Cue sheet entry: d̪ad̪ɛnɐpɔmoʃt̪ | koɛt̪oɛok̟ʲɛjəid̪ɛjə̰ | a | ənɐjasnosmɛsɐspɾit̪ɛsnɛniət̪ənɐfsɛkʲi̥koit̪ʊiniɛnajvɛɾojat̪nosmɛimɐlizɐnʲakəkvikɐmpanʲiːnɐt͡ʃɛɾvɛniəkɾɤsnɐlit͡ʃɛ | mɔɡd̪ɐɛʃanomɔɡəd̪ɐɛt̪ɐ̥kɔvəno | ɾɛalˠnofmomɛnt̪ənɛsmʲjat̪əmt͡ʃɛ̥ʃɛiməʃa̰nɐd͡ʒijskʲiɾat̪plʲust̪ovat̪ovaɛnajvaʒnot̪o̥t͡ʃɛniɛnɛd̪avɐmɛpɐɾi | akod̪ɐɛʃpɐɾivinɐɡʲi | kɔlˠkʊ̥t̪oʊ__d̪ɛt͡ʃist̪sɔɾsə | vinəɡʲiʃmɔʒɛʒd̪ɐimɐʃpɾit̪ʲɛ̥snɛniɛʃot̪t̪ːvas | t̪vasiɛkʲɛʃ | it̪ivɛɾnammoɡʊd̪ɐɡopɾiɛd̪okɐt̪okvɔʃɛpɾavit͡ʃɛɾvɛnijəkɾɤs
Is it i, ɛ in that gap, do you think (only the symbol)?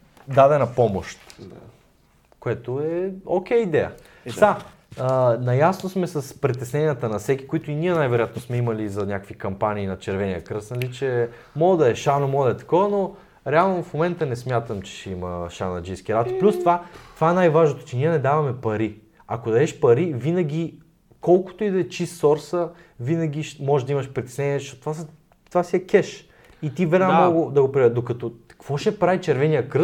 i